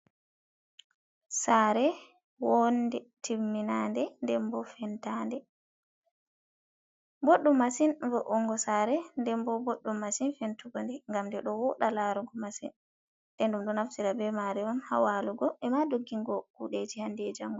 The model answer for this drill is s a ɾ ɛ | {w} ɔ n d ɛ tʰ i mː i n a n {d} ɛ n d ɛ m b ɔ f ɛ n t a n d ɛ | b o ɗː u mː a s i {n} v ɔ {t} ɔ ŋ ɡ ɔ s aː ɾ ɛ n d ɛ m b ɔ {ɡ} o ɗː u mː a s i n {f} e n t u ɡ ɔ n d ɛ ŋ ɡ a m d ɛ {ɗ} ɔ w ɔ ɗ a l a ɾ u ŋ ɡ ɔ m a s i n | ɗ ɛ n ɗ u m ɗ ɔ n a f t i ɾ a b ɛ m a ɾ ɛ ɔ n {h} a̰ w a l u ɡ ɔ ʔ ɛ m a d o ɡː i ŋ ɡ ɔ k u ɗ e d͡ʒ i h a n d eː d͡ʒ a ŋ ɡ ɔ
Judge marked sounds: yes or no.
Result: yes, yes, yes, no, no, yes, yes, yes

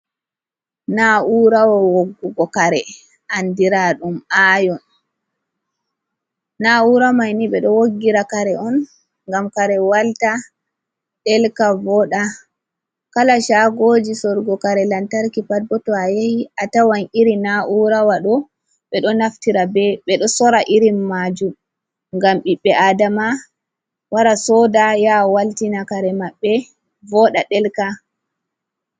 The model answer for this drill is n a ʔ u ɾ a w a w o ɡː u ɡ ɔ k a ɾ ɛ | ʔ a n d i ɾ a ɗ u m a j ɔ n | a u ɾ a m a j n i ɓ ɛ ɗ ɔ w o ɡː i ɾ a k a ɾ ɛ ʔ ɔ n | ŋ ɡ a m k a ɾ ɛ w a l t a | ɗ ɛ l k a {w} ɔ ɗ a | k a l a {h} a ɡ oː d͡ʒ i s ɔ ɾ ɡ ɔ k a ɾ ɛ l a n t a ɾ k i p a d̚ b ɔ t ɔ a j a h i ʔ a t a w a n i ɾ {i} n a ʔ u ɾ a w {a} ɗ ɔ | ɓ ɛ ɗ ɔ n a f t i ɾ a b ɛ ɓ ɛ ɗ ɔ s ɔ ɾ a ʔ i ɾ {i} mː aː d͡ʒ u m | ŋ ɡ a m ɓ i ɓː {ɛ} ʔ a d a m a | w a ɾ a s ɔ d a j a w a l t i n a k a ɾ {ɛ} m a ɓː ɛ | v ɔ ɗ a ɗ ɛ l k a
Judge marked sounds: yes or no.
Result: no, no, yes, yes, yes, yes, yes

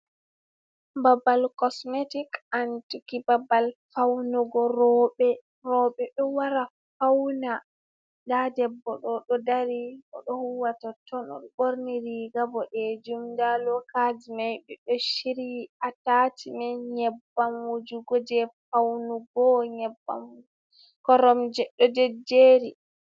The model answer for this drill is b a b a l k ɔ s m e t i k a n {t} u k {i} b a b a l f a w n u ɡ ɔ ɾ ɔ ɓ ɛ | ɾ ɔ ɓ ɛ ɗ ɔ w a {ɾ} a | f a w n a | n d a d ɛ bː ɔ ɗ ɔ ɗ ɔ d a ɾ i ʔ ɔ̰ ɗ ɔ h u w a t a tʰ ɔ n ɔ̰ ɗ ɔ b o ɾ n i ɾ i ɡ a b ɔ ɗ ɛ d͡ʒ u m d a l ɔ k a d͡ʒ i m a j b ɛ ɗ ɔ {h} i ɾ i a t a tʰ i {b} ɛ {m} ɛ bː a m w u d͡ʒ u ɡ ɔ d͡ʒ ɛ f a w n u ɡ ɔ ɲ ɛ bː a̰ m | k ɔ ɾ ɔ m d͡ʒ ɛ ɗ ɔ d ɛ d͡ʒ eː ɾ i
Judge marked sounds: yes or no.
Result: yes, yes, yes, no, no, no

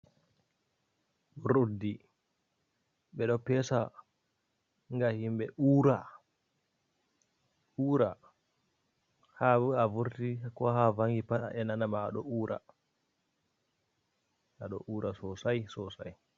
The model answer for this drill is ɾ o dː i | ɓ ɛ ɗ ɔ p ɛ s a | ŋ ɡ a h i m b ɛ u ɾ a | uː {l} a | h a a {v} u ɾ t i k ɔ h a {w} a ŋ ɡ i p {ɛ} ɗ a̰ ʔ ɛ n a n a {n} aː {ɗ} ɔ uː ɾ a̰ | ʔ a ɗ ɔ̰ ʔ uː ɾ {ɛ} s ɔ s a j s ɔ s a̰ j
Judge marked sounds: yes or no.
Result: no, yes, no, no, no, yes, no

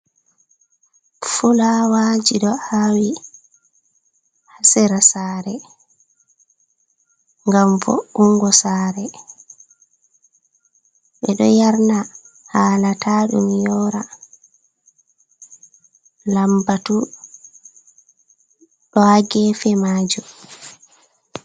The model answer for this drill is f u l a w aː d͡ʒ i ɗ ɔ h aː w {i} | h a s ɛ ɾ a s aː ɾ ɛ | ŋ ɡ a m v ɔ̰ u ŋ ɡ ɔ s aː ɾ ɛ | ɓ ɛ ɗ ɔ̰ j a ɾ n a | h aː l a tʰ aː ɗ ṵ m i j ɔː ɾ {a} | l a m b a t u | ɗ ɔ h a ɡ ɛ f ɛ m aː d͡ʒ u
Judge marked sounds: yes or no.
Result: yes, yes

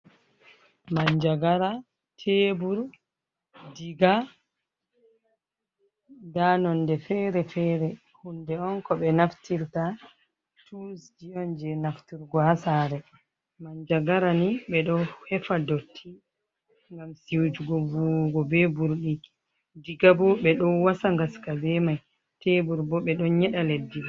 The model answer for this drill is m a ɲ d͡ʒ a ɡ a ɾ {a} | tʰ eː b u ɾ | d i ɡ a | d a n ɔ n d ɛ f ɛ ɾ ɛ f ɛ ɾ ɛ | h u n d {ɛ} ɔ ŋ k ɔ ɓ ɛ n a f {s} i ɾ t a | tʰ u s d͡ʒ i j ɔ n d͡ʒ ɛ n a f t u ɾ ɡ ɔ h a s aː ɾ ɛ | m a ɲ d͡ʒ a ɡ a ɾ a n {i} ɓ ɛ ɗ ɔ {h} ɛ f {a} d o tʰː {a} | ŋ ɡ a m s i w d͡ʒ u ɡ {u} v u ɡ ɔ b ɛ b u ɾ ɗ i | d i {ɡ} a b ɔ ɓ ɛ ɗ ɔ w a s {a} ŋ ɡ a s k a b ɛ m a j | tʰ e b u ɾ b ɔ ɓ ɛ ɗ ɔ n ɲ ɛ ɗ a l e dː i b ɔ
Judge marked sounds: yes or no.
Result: yes, yes, no, yes, yes, yes, no, no, yes, yes

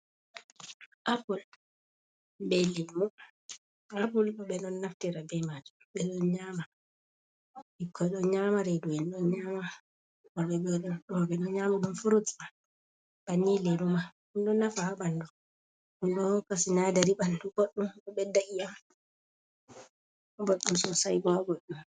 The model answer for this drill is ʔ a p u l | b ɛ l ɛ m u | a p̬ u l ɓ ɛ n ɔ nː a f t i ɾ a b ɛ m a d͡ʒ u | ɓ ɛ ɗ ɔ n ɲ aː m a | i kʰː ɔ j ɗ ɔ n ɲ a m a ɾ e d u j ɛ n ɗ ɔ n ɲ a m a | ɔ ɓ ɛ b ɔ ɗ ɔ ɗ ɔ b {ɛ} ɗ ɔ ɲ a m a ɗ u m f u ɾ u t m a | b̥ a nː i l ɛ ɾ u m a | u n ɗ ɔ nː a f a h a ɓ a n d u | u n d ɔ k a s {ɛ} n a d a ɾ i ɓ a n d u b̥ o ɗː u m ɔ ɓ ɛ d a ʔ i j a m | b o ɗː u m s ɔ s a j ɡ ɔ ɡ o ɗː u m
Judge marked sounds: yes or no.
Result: yes, no

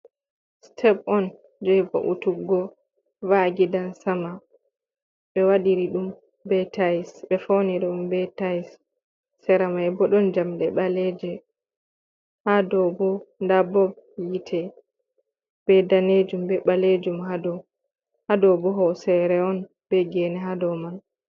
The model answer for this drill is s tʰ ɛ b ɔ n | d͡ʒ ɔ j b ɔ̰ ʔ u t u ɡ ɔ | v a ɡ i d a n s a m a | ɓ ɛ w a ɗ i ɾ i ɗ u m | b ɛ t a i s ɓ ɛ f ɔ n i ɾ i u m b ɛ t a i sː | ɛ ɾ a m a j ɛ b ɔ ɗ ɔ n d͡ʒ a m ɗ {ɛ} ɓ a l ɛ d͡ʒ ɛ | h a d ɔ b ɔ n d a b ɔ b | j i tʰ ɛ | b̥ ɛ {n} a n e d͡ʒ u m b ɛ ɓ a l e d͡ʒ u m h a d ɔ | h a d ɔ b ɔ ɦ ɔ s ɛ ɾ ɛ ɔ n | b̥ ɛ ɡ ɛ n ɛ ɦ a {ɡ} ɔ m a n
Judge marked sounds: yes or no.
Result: yes, no, no

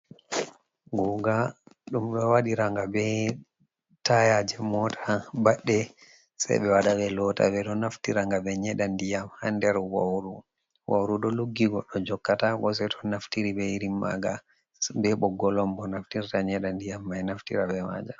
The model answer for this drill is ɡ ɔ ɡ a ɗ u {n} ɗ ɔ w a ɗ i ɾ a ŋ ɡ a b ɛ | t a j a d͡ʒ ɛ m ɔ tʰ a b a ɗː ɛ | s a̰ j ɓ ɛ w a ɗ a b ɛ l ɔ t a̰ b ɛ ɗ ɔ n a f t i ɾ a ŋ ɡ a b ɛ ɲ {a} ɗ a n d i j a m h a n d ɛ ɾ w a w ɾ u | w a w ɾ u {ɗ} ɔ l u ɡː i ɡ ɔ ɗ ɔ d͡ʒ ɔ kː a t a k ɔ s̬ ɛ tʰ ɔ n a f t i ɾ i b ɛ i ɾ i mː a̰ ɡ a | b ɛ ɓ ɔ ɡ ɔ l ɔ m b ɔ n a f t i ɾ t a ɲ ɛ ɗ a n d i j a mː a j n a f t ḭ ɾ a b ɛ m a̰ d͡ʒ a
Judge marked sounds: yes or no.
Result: no, no, yes

